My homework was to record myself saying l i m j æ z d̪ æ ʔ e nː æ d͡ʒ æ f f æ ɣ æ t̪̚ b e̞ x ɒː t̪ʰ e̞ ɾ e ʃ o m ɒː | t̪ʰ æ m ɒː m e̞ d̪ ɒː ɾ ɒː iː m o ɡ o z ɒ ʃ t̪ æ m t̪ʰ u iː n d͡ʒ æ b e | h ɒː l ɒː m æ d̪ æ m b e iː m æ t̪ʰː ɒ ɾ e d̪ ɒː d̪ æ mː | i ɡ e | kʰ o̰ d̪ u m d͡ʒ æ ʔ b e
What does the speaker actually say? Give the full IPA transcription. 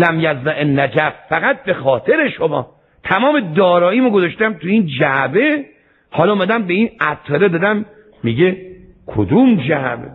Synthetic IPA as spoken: l æ m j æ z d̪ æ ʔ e nː æ d͡ʒ æ f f æ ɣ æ t̪̚ b e̞ x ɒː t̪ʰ e̞ ɾ e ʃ o m ɒː | t̪ʰ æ m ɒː m e̞ d̪ ɒː ɾ ɒː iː m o ɡ o z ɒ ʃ t̪ æ m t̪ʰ u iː n d͡ʒ æ b e | h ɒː l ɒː m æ d̪ æ m b e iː n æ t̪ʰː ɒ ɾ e d̪ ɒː d̪ æ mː | i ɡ e | kʰ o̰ d̪ u m d͡ʒ æ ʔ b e